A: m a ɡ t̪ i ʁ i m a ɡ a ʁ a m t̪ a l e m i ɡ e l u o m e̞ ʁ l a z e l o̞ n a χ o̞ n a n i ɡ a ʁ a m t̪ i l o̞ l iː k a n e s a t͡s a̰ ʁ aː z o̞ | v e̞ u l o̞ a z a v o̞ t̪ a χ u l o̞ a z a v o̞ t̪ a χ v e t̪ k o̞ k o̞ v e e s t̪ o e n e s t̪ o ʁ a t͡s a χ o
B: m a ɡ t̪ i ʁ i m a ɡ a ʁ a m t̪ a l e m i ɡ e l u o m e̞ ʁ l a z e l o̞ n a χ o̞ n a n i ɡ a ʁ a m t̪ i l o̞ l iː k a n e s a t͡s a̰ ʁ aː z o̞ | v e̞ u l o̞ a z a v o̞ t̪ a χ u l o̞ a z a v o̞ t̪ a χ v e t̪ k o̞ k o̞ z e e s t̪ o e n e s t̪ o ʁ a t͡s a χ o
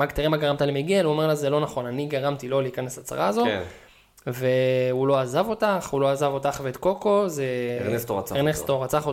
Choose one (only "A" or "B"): B